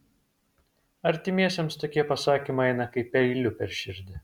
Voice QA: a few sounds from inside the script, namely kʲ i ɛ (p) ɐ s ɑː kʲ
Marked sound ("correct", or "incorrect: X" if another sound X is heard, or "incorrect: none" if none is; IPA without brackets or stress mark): correct